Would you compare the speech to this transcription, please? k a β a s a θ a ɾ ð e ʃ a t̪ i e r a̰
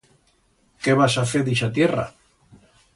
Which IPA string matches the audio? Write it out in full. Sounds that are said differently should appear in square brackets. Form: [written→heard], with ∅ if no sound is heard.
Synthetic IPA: k [a→e] β a s a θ [a→e] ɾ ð [e→i] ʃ a t̪ [i→j] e r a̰